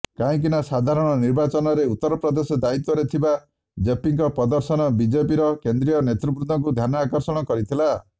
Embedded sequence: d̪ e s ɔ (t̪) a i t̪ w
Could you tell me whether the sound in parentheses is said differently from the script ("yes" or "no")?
yes